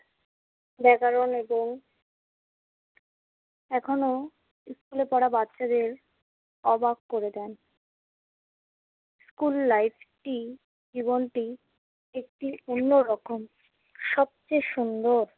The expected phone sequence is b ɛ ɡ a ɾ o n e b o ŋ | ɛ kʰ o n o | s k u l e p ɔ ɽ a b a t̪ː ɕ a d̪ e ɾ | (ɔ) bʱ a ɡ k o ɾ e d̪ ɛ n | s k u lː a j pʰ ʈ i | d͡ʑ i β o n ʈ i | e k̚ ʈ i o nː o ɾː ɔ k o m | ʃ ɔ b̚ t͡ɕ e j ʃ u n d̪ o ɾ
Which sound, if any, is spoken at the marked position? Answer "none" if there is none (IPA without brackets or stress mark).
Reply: ɔ